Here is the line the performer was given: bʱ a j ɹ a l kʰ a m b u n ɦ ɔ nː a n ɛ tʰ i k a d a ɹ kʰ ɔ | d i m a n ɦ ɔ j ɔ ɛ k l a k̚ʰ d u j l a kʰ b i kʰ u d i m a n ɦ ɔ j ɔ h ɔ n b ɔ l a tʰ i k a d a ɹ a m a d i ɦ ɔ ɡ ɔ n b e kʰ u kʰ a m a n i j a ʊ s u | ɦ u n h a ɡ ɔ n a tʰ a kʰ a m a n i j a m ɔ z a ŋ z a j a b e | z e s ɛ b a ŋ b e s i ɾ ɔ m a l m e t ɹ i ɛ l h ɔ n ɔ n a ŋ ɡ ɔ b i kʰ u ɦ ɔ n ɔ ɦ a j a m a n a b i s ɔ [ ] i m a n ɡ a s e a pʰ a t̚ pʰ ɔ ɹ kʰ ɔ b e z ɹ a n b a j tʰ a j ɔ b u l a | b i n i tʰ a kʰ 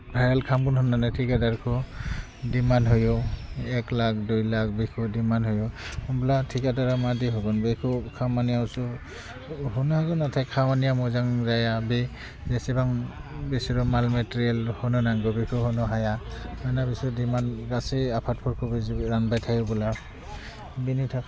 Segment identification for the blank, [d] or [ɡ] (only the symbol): d